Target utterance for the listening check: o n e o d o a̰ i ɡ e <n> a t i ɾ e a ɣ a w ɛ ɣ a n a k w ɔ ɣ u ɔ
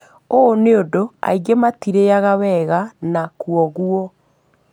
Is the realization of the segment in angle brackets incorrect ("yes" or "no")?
yes